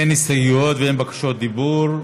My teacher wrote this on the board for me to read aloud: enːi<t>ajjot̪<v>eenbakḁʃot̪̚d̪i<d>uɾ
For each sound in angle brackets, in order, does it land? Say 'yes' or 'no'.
no, yes, no

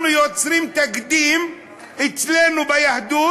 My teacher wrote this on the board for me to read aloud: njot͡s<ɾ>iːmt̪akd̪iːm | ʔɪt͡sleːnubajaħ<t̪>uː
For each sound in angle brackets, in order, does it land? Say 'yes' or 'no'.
yes, no

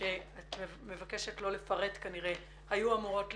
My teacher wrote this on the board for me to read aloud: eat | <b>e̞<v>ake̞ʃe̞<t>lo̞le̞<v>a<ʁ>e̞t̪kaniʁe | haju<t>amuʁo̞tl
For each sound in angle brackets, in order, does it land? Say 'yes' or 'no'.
no, yes, yes, no, yes, no

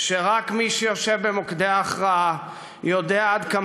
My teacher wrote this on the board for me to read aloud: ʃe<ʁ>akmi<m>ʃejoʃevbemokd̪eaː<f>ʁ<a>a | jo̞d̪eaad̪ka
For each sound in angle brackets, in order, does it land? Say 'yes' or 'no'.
yes, no, no, yes

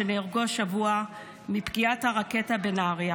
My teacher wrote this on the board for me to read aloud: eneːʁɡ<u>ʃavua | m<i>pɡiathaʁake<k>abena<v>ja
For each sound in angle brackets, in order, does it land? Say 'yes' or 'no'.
no, yes, no, no

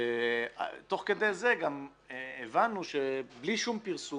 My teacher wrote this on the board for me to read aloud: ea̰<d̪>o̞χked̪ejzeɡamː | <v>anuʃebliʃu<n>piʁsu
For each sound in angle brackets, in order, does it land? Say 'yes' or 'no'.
no, yes, no

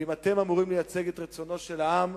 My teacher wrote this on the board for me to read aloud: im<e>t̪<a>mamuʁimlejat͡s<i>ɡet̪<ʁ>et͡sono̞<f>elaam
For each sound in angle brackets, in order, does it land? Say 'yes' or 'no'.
no, no, no, yes, no

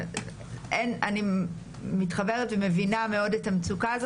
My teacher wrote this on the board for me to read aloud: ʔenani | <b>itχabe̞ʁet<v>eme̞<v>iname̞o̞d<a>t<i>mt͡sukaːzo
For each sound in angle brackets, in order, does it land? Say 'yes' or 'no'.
no, yes, yes, no, no

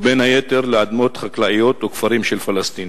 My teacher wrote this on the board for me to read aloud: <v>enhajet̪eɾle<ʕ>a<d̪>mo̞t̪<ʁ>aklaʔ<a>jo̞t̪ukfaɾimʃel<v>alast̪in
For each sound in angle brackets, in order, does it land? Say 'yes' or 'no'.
no, yes, yes, no, no, no

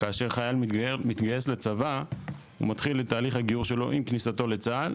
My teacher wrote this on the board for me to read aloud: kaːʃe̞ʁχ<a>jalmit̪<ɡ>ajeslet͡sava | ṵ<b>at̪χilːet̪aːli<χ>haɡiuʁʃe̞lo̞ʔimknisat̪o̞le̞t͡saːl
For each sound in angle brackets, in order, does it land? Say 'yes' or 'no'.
yes, yes, no, yes

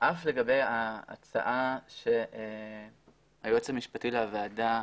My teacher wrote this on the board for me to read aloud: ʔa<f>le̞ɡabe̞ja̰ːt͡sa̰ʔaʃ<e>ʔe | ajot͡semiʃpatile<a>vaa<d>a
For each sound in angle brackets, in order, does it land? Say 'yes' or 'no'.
yes, yes, yes, yes

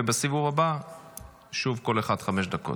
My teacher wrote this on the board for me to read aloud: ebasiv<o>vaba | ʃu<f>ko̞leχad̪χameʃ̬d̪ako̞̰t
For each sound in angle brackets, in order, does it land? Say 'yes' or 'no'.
no, no

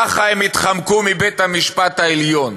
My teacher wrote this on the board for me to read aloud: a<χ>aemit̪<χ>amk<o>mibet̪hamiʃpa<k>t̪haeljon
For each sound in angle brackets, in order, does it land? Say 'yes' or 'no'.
yes, yes, no, no

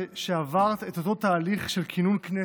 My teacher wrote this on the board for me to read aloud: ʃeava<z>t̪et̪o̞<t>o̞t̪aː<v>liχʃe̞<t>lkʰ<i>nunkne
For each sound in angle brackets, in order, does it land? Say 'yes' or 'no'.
no, yes, no, no, yes

